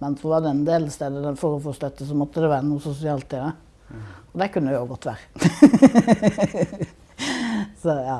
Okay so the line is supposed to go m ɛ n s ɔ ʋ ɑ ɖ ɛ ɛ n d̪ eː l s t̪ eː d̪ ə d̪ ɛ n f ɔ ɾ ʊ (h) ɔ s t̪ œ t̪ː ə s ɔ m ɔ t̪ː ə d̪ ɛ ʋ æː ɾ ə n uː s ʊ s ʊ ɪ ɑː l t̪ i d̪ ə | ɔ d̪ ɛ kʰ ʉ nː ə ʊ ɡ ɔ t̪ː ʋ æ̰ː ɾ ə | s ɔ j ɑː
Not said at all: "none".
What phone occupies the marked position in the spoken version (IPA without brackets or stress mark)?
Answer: f